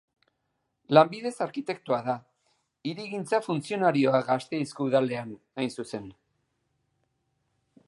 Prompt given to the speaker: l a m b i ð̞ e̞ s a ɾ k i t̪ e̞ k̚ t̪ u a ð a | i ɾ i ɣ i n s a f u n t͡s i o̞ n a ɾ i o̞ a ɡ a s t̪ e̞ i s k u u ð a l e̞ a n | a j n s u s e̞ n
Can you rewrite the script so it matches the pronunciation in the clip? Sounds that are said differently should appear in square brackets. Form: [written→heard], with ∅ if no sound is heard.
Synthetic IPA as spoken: l a m b i ð̞ e̞ s a ɾ k i t̪ e̞ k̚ t̪ u a ð a | i ɾ i ɣ i n [s→t͡s] a f u n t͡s i o̞ n a ɾ i o̞ a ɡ a s t̪ e̞ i s k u u ð a l e̞ a n | a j n s u s e̞ n